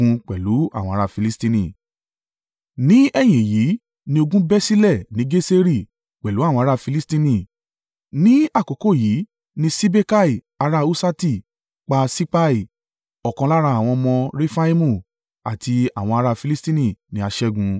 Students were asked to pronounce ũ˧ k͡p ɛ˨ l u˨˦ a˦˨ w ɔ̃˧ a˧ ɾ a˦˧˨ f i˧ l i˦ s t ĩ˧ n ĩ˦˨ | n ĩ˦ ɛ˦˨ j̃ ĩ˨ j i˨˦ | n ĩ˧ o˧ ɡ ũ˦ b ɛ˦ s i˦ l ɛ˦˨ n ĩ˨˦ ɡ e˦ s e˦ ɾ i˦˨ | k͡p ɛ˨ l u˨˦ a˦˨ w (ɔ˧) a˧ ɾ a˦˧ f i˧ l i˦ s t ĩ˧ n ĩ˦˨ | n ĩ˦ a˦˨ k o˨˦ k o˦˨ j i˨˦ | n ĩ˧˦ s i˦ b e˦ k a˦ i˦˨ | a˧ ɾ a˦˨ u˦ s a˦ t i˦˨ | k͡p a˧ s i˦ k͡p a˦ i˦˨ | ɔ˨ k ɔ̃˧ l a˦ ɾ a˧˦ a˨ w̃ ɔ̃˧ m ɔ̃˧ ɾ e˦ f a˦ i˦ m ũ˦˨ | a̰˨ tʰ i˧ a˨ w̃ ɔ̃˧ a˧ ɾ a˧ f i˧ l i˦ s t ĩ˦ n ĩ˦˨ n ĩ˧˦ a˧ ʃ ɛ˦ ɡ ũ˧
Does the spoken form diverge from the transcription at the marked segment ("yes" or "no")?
yes